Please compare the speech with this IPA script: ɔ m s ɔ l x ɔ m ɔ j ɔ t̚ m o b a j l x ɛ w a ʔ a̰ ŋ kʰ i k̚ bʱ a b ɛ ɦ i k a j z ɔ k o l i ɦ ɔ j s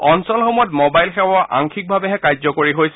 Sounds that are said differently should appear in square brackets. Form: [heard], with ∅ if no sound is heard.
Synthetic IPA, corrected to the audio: ɔ [n] s ɔ l x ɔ m ɔ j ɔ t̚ m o b a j l x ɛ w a ʔ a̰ ŋ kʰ i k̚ bʱ a b ɛ ɦ [ɛ] k a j z ɔ k o [ɹ] i ɦ [o] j s

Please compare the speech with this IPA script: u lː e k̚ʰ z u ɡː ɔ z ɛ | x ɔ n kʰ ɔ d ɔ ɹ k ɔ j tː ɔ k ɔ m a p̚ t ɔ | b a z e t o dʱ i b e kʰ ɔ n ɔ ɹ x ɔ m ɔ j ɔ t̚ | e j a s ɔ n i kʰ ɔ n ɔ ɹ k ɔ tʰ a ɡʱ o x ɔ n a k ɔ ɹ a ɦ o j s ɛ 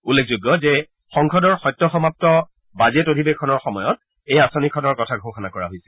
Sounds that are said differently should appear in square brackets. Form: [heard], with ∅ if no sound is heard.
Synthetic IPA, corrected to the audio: u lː e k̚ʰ z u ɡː ɔ z ɛ | x ɔ [ŋ] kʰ ɔ d ɔ ɹ [x] ɔ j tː ɔ [x] ɔ m a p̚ t ɔ | b a z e t o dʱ i b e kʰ ɔ n ɔ ɹ x ɔ m ɔ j ɔ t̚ | e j a s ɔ n i kʰ ɔ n ɔ ɹ k ɔ tʰ a ɡʱ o x ɔ n a k ɔ ɹ a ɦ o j s ɛ

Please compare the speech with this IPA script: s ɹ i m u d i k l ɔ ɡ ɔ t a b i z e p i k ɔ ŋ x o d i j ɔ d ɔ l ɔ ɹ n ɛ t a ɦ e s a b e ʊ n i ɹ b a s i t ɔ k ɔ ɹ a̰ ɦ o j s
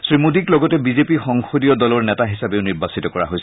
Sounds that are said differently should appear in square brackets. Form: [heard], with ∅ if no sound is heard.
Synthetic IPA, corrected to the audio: s ɹ i m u d i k l ɔ ɡ ɔ t [ɛ] b i z e p i [x] ɔ ŋ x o d i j ɔ d ɔ l ɔ ɹ n ɛ t a ɦ [i] s a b e ʊ n i ɹ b a s i t ɔ k ɔ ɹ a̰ ɦ o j s

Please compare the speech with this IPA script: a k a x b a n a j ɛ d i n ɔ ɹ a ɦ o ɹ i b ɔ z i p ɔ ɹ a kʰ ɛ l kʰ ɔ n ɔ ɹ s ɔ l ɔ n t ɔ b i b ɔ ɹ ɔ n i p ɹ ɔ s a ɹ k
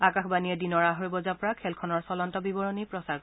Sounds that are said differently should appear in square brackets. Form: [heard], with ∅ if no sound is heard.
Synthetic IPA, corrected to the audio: a k a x b a n [i] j ɛ d i n ɔ ɹ a ɦ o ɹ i b ɔ z [a] p ɔ ɹ a kʰ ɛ l kʰ ɔ n ɔ ɹ s ɔ l ɔ n t ɔ b i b ɔ ɹ ɔ n i p ɹ ɔ s a ɹ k

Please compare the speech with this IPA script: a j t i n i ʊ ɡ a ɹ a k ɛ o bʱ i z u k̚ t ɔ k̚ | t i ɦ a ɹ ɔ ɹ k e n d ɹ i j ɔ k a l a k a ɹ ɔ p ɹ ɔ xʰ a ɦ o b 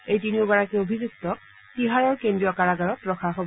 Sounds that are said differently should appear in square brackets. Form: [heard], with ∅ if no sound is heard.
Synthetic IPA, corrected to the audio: [e] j t i n i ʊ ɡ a ɹ a k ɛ o bʱ i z u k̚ t ɔ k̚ | t i ɦ a ɹ ɔ ɹ k e n d ɹ i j ɔ k a [ɹ] a [ɡ] a ɹ ɔ [t] ɹ ɔ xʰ a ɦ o b

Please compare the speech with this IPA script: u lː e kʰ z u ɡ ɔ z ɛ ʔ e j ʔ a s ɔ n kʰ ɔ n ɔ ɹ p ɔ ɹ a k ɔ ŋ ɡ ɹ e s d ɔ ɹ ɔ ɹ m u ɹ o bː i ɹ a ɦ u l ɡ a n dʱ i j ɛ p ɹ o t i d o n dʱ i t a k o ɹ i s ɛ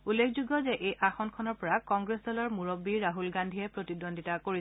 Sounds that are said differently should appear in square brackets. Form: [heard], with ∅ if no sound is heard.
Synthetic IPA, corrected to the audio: u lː e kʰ z u ɡ ɔ z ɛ ʔ e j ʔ a [x] ɔ n kʰ ɔ n ɔ ɹ p ɔ ɹ a k ɔ ŋ ɡ ɹ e s d ɔ [l] ɔ ɹ m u ɹ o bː i ɹ a ɦ u l ɡ a n dʱ i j ɛ p ɹ o t i d o n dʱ i t a k o ɹ i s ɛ

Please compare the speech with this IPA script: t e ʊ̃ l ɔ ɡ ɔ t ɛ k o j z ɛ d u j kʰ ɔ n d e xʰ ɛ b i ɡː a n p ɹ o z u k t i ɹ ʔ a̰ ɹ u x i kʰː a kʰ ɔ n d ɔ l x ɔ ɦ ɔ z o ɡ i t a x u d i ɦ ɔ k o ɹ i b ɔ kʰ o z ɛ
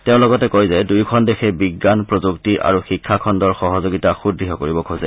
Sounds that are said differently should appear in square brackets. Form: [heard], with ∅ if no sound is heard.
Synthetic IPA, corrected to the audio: t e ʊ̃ l ɔ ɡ ɔ t ɛ k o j z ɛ d u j kʰ ɔ n d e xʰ ɛ b i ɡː a n p ɹ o z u k t i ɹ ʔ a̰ ɹ u x i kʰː a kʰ ɔ n d ɔ [ɹ] x ɔ ɦ ɔ z o ɡ i t a x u d i ɦ ɔ k o ɹ i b ɔ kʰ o z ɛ

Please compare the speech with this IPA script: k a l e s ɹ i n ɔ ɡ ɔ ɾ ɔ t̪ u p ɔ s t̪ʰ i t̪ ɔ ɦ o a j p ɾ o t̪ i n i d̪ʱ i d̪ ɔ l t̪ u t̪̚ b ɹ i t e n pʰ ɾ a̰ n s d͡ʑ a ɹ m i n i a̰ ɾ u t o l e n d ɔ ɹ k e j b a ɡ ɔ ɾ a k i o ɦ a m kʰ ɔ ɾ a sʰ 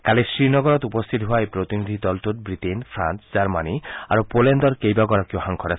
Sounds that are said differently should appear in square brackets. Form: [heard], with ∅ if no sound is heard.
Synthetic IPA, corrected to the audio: k a l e s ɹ i n ɔ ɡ ɔ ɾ ɔ t̪ u p ɔ s t̪ʰ i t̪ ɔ ɦ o a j p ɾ o t̪ i n i d̪ʱ i d̪ ɔ l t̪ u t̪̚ b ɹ i t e n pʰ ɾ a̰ n s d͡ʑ a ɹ m [a] n i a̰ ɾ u [p] o l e n d ɔ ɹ k e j b a ɡ ɔ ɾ a k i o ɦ a [ŋ] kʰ ɔ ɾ a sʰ

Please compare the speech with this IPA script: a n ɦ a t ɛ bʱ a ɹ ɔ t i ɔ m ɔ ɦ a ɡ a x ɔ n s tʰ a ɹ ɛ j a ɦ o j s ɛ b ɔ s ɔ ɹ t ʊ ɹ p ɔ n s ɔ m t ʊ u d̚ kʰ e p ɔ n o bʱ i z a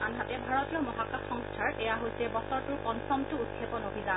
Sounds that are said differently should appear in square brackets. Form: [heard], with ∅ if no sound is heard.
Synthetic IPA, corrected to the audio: a n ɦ a t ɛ bʱ a ɹ ɔ t i ɔ m ɔ ɦ a [k] a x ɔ [ŋ] s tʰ a ɹ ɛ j a ɦ o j s ɛ b ɔ s ɔ ɹ t ʊ ɹ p ɔ n s ɔ m t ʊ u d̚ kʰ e p ɔ n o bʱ i z a

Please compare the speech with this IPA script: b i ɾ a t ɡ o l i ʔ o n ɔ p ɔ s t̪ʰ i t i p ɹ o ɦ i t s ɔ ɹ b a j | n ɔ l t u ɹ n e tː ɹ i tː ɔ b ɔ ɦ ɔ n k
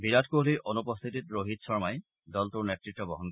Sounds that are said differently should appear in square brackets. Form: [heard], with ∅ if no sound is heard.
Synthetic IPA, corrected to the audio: b i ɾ a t [k] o l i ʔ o n [u] p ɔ s t̪ʰ i t i [t] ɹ o ɦ i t s ɔ ɹ [m] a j | [d] ɔ l t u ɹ n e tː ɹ i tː ɔ b ɔ ɦ ɔ n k

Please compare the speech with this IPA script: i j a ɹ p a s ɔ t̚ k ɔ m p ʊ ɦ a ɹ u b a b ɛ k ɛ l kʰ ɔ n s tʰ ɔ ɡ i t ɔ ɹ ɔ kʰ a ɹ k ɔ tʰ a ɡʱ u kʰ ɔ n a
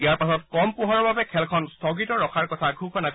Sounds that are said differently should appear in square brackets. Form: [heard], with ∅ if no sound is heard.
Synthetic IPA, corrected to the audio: i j a ɹ p a s ɔ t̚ k ɔ m p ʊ ɦ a ɹ [ɔ] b a b ɛ [kʰ] ɛ l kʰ ɔ n s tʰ ɔ ɡ i t ɔ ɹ ɔ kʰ a ɹ k ɔ tʰ a ɡʱ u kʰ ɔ n a

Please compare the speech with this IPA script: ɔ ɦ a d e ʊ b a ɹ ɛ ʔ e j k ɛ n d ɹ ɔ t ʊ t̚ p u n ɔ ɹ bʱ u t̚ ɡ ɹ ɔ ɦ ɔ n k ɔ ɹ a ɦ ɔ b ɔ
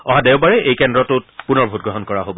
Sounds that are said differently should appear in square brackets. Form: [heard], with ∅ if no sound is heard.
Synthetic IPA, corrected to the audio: ɔ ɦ a d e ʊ b a ɹ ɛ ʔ e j k ɛ n d ɹ ɔ t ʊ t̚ p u n ɔ ɹ bʱ u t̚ ɡ ɹ ɔ ɦ ɔ n k ɔ ɹ a ɦ [o] b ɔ

